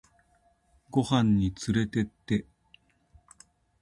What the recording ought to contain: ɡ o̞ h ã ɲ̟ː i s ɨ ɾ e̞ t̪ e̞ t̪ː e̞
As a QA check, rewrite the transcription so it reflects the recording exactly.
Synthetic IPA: ɡ o̞ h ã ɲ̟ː i t͡s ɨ ɾ e̞ t̪ e̞ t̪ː e̞